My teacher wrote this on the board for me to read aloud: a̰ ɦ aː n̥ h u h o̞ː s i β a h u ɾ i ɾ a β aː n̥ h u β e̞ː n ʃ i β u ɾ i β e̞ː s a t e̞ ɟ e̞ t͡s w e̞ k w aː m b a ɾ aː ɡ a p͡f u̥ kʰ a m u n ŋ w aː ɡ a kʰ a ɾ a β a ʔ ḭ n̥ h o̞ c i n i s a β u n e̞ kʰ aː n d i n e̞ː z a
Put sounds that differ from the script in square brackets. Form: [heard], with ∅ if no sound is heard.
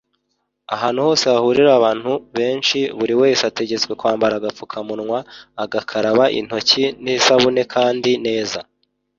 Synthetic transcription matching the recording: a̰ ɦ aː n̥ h u h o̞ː s [e] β a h u ɾ i ɾ a β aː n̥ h u β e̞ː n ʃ i β u ɾ i [w] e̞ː s a t e̞ ɟ e̞ t͡s w e̞ k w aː m b a ɾ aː ɡ a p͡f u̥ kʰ a m u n ŋ w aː ɡ a kʰ a ɾ a β a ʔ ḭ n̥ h o̞ c i n i s a β u n e̞ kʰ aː n d i n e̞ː z a

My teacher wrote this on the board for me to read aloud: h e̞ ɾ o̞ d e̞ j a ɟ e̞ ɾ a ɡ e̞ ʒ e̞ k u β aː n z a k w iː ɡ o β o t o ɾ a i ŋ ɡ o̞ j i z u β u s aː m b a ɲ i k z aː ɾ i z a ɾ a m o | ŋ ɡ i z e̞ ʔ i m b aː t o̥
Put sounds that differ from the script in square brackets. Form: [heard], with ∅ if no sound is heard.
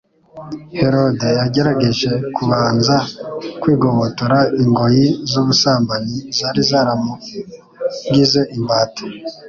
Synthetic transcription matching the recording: h e̞ ɾ o̞ d e̞ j a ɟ e̞ ɾ a ɡ e̞ ʒ e̞ k u β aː n z a k w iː ɡ o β o t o ɾ a i ŋ ɡ o̞ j i z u β u s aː m b a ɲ i [∅] z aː ɾ i z a ɾ a m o | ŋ ɡ i z e̞ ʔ i m b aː t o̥

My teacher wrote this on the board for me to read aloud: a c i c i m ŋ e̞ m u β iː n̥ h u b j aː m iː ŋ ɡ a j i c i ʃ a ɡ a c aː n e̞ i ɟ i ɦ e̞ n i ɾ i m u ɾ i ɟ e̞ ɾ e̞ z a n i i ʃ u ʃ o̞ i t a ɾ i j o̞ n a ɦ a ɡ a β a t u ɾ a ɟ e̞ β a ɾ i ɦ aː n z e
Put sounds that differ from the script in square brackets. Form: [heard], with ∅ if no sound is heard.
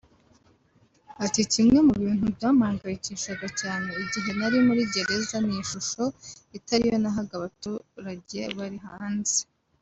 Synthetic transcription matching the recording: a [t] i c i m ŋ e̞ m u β iː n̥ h u b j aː m [aː] ŋ ɡ a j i c i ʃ a ɡ a c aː n e̞ i ɟ i ɦ e̞ n [a] ɾ i m u ɾ i ɟ e̞ ɾ e̞ z a n i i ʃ u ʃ o̞ i t a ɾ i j o̞ n a ɦ a ɡ a β a t u ɾ a ɟ e̞ β a ɾ i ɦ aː n z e

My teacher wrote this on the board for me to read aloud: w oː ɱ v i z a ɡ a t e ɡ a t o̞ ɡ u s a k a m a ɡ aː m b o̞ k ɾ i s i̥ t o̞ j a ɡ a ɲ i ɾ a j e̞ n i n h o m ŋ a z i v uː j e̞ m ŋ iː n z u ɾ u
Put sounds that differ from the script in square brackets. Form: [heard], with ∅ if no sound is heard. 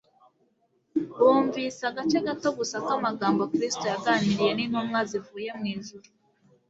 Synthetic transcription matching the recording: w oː ɱ v i [s] a ɡ a [t͡ʃ] e ɡ a t o̞ ɡ u s a k a m a ɡ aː m b o̞ k ɾ i s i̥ t o̞ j a ɡ a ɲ i ɾ [i] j e̞ n i n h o m ŋ a z i v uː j e̞ m ŋ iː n z u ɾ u

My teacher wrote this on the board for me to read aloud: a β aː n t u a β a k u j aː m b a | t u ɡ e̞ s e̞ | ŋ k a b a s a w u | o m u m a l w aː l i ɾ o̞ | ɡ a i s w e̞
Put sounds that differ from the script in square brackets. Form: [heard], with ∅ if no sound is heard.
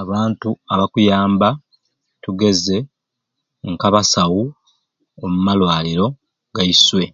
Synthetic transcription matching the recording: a β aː n t u a β a k u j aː m b a | t u ɡ e̞ [z] e̞ | ŋ k a [β] a s a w u | o m u m a l w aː l i ɾ o̞ | ɡ a i s w e̞

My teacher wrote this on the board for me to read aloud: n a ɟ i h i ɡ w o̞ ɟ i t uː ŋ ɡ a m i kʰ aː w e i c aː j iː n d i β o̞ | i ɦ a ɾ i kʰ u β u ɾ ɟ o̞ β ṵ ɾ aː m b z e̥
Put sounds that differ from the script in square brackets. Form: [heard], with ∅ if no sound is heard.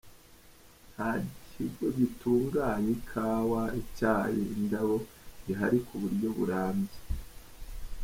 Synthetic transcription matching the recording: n a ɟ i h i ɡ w o̞ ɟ i t uː ŋ ɡ a [ɲ] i kʰ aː w [a] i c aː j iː n d [a] β o̞ | i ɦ a ɾ i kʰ u β u ɾ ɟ o̞ β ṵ ɾ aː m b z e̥

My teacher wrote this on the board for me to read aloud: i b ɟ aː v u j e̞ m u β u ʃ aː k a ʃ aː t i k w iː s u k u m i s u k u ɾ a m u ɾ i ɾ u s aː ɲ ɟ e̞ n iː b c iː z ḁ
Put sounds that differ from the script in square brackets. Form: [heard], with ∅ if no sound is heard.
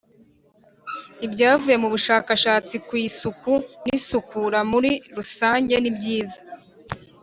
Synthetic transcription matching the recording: i b ɟ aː v u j e̞ m u β u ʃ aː k a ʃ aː [t͡s] i k w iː s u k u [n] i s u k u ɾ a m u ɾ i ɾ u s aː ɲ ɟ e̞ n [i] b [ɟ] iː z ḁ

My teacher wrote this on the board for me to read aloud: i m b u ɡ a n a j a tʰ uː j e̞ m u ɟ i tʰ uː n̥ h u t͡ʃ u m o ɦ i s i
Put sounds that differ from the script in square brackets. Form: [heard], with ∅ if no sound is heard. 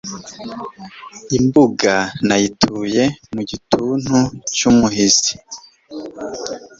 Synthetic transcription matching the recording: i m b u ɡ a n a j [i] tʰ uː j e̞ m u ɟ i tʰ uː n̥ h u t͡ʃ u m [u] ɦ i [z] i

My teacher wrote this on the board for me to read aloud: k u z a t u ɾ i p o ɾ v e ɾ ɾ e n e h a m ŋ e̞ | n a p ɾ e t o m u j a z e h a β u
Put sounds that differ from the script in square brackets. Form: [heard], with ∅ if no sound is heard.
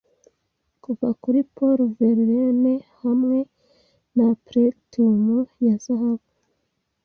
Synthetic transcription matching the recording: k u [v] a [k] u ɾ i p o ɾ v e ɾ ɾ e n e h a m ŋ e̞ | n a p ɾ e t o m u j a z [a] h a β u

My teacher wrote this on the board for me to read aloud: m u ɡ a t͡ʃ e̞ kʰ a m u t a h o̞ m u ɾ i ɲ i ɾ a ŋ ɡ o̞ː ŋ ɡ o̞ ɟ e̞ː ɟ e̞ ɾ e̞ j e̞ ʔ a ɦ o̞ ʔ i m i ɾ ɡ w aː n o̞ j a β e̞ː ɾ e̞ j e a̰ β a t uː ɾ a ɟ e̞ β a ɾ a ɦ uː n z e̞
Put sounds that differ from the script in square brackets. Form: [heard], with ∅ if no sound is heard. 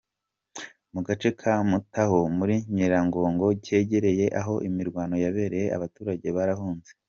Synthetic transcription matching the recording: m u ɡ a t͡ʃ e̞ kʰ a m u t a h o̞ m u ɾ i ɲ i ɾ a ŋ ɡ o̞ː ŋ ɡ o̞ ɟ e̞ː ɟ e̞ ɾ e̞ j e̞ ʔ a ɦ o̞ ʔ i m i ɾ ɡ w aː n o̞ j a β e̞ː ɾ e̞ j e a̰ β a t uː ɾ a ɟ e̞ β a ɾ a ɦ uː n z e̞

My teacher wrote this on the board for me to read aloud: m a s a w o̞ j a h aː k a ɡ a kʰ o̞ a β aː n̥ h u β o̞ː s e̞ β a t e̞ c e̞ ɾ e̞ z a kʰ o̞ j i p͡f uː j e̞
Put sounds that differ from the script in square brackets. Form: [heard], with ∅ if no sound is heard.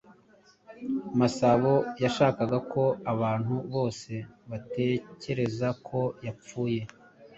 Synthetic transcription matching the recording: m a s a [β] o̞ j a [ʃ] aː k a ɡ a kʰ o̞ a β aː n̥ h u β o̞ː s e̞ β a t e̞ c e̞ ɾ e̞ z a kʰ o̞ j [a] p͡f uː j e̞

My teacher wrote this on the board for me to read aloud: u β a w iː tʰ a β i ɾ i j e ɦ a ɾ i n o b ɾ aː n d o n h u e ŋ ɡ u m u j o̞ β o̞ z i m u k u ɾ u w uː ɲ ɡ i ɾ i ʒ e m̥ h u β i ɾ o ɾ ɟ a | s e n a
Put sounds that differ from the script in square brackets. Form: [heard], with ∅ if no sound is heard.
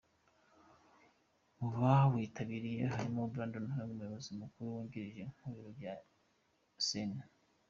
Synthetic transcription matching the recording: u β a w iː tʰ a β i ɾ i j e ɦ a ɾ i [m] o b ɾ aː n d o n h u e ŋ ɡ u m u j o̞ β o̞ z i m u k u ɾ u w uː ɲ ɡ i ɾ i ʒ e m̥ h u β i ɾ o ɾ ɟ a | s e n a

